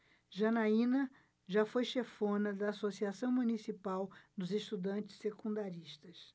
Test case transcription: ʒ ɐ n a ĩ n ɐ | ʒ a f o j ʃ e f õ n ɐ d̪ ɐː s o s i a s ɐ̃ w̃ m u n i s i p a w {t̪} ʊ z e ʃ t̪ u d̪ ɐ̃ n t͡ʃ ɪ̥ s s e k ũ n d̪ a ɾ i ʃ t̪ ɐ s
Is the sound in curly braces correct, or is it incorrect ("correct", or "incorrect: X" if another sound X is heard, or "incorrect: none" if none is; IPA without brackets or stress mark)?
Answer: incorrect: d̪